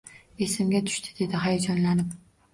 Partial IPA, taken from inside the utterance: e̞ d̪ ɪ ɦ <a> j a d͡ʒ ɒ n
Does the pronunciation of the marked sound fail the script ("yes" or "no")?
no